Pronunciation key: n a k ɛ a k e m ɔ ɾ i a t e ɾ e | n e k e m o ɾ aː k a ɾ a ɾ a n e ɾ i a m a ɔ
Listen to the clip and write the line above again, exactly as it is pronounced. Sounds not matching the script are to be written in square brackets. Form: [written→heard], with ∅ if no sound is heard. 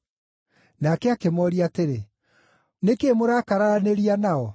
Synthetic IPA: n a k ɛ a k e m ɔ ɾ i a t e ɾ e | n e k e m o ɾ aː k a ɾ a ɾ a n e ɾ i a [m→n] a ɔ